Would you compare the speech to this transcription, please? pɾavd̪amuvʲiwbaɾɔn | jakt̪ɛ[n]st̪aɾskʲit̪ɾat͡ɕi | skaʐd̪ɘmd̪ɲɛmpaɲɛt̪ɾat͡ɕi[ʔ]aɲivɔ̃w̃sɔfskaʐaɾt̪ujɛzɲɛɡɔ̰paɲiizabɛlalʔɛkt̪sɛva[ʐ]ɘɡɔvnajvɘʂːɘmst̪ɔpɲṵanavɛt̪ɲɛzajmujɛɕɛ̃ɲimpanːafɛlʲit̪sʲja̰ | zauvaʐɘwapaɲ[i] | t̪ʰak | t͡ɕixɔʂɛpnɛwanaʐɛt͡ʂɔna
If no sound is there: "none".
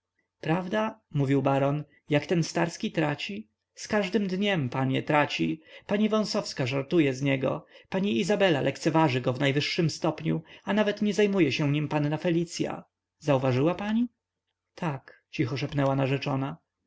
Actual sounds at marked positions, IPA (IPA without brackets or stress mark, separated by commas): n, p, ʐ, i